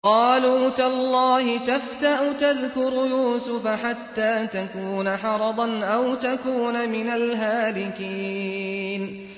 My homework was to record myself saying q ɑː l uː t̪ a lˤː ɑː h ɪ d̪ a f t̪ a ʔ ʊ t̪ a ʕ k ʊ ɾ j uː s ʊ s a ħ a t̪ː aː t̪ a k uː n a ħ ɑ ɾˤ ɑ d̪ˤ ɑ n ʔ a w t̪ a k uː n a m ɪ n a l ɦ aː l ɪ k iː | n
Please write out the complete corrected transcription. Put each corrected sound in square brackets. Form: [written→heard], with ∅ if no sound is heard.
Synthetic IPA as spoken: q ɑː l uː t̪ a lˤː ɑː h ɪ [d̪→t̪] a f t̪ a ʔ ʊ t̪ a [ʕ→ð] k ʊ ɾ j uː s ʊ [s→f] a ħ a t̪ː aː t̪ a k uː n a ħ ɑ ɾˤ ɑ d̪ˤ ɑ n ʔ a w t̪ a k uː n a m ɪ n a l ɦ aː l ɪ k iː | n